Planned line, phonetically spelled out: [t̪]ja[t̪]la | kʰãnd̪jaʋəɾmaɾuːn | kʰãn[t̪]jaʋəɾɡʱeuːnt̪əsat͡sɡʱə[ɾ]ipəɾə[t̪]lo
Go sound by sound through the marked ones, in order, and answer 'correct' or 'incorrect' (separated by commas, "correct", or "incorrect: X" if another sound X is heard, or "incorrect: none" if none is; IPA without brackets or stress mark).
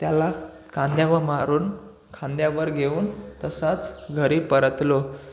correct, incorrect: none, incorrect: d̪, correct, correct